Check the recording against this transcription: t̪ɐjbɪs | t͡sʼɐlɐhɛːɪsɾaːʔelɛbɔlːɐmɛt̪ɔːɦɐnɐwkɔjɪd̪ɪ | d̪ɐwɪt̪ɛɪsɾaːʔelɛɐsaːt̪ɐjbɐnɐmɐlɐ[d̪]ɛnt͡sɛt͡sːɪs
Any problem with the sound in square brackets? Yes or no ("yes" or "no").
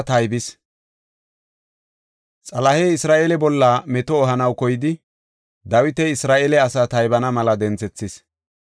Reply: no